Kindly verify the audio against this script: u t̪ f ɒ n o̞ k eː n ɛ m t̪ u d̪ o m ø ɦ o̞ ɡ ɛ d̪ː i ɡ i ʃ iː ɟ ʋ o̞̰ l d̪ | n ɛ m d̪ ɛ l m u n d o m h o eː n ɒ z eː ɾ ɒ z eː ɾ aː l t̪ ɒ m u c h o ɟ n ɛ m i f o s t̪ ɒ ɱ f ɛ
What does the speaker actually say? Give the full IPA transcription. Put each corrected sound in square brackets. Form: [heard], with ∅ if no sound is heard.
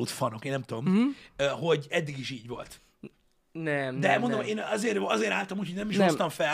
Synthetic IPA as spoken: u t̪ f ɒ n o̞ k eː n ɛ m t̪ u d̪ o m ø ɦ o̞ [ɟ] ɛ d̪ː i ɡ i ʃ iː ɟ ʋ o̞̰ l [t̪] | n ɛ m d̪ ɛ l m [o] n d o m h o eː n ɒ z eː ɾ ɒ z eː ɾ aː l t̪ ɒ m u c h o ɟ n ɛ m i [ʃ] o s t̪ ɒ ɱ f ɛ